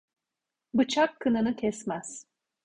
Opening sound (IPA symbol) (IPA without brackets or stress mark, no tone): b